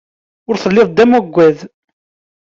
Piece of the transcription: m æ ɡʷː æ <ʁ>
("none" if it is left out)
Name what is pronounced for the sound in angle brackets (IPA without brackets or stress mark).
ð